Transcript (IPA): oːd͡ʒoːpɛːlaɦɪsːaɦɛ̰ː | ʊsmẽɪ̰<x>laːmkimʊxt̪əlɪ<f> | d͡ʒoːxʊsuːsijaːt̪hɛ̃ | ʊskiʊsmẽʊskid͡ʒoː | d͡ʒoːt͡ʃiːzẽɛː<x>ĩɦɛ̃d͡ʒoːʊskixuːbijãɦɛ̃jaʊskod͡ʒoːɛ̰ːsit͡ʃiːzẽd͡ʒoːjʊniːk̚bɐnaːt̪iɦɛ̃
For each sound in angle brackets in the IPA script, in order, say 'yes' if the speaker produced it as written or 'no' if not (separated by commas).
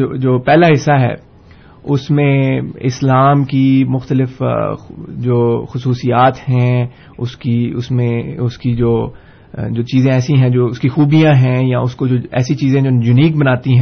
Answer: no, yes, no